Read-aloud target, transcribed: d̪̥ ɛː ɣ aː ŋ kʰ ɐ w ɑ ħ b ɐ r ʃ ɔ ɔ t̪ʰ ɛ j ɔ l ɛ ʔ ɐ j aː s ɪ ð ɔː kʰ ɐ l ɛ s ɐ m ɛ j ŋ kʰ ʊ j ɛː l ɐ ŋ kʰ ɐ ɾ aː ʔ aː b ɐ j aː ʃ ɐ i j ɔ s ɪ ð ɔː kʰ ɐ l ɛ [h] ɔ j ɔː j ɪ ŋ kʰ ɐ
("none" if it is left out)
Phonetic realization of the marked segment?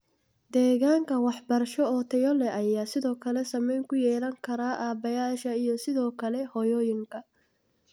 h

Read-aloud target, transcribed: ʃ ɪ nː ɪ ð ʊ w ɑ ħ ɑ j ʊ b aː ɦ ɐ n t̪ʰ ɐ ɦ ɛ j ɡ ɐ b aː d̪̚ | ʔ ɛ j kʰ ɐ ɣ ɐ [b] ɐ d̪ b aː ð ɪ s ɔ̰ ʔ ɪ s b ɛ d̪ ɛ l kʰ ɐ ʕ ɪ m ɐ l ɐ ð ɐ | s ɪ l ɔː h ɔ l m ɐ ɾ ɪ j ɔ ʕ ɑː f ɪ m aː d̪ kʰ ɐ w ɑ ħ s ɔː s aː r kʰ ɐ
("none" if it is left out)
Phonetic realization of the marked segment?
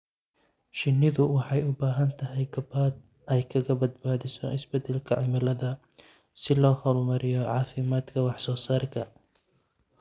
b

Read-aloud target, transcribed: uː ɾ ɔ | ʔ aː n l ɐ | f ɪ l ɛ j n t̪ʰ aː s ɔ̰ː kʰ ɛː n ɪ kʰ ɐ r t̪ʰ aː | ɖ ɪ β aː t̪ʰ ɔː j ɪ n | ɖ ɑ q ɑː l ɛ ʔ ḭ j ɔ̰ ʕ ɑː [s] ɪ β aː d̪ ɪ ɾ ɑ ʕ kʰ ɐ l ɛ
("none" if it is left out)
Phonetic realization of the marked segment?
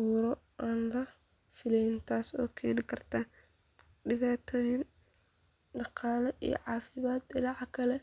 f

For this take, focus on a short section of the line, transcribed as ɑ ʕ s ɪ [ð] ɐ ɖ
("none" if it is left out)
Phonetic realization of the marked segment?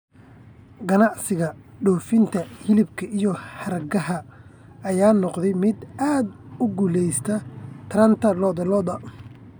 ɣ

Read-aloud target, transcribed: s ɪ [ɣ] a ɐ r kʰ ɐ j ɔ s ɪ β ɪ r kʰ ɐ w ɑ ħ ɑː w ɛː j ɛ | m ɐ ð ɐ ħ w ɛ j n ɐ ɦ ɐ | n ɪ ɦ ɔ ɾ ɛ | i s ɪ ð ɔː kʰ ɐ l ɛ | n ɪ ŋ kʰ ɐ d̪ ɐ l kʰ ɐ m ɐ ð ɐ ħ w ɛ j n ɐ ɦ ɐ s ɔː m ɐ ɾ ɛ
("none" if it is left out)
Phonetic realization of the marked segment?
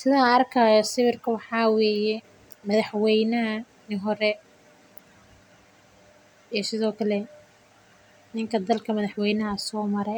ð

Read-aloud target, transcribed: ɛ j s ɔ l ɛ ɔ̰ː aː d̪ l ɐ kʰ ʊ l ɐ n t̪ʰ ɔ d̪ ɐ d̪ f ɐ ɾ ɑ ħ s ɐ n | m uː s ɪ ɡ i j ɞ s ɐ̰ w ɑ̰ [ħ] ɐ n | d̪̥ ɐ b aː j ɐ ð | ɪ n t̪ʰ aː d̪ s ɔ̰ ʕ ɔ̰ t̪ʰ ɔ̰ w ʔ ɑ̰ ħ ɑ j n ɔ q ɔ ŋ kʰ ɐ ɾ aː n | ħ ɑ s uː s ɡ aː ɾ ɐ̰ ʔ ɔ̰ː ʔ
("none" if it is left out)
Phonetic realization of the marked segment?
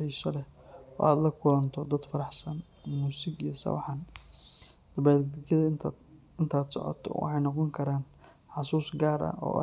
ħ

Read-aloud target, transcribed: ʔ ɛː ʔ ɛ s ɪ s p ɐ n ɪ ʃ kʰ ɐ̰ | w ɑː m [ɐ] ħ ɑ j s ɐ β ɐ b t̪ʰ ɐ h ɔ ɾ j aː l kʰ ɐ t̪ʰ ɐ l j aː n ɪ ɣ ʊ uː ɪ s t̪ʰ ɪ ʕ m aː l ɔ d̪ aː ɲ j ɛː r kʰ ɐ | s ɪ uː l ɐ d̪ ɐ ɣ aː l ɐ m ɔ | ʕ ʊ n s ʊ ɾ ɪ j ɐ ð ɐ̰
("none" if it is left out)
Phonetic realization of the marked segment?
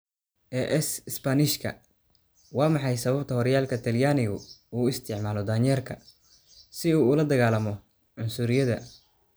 ɑ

